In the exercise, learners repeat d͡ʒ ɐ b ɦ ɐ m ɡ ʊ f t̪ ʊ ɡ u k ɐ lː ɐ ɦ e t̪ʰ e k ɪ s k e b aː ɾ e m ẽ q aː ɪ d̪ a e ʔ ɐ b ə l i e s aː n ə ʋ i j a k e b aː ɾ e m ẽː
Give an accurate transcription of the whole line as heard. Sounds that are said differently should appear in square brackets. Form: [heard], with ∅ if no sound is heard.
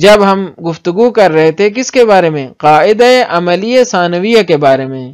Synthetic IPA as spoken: d͡ʒ ɐ b ɦ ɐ m ɡ ʊ f t̪ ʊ ɡ u k ɐ [ɾː] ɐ ɦ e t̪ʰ e k ɪ s k e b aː ɾ e m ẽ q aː ɪ d̪ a e ʔ ɐ [m] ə l i e s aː n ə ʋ i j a k e b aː ɾ e m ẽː